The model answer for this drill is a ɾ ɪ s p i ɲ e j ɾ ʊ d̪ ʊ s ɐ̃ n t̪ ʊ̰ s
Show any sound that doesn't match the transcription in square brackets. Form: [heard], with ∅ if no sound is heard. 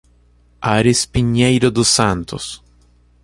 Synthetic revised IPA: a ɾ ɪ s p i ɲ e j ɾ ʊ d̪ ʊ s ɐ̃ n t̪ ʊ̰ s

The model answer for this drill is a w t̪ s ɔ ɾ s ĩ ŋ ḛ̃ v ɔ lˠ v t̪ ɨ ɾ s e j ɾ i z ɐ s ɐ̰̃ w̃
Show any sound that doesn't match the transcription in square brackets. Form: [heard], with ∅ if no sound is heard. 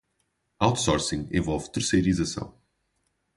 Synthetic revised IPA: a w t̪ s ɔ ɾ s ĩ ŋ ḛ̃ v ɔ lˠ v t̪ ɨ ɾ s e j ɾ i z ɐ s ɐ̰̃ w̃

